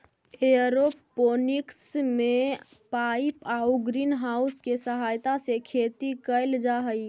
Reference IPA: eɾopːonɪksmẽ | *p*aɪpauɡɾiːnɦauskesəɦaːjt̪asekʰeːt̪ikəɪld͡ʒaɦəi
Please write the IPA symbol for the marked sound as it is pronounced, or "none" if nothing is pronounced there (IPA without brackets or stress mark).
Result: p